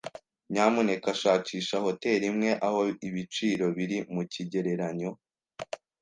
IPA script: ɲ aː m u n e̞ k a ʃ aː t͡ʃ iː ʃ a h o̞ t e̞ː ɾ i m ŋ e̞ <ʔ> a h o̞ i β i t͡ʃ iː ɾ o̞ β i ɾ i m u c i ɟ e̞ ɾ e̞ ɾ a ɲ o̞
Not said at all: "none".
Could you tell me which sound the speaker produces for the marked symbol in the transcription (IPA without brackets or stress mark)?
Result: ʔ